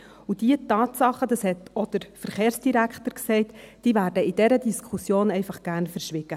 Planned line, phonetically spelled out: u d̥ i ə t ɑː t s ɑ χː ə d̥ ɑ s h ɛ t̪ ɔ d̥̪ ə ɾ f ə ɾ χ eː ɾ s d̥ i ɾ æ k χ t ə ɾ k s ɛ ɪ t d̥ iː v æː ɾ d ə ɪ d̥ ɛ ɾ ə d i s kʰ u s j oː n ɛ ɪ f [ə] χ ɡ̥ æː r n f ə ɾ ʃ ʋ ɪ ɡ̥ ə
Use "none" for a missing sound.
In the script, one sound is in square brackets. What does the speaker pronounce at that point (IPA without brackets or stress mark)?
ɑ